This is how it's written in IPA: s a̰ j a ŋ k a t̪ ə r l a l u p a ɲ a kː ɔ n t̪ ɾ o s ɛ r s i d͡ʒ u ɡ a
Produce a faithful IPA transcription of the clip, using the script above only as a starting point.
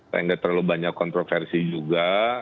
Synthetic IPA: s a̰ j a ŋ ɡ a t̪ ə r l a l u b a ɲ a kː ɔ n t̪ ɾ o f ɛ r s i d͡ʒ u ɡ a